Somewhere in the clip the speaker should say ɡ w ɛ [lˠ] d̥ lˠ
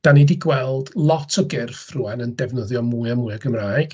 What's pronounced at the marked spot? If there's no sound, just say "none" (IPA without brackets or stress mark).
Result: lˠ